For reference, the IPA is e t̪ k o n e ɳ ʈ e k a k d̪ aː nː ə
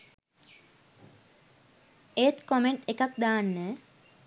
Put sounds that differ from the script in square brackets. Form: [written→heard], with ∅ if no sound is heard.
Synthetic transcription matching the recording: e t̪ k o [n→m] e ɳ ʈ e k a k d̪ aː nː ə